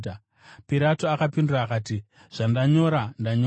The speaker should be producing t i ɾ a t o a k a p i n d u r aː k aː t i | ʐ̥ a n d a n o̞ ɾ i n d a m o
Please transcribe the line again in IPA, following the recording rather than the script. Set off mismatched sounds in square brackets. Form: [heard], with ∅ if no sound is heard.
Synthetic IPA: [p] i ɾ a t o a k a p i n d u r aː k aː t i | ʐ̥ a n d a [ɲ] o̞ ɾ [a] n d a [ɲ] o